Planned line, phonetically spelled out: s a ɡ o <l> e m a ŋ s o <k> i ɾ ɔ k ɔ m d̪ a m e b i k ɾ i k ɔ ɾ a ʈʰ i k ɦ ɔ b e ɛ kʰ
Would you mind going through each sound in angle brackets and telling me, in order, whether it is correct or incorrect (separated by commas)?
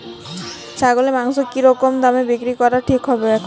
correct, correct